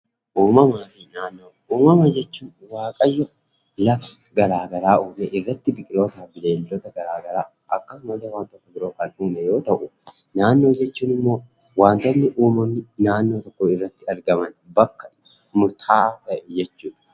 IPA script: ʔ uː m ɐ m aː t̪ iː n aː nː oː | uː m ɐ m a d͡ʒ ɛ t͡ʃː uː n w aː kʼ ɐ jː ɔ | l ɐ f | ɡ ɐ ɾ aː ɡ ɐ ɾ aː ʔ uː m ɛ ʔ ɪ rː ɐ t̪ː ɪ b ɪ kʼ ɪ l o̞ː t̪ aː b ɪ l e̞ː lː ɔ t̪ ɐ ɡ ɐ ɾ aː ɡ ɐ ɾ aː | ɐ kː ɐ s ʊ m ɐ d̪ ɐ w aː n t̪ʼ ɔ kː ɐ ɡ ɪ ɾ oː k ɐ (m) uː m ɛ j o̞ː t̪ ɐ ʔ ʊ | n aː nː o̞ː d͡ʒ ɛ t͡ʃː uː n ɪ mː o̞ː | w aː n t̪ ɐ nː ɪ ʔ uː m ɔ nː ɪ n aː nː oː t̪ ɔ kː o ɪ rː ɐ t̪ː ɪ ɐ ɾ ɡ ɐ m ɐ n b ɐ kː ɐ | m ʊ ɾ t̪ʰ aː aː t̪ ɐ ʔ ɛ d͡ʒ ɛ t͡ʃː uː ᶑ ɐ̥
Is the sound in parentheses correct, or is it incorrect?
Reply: incorrect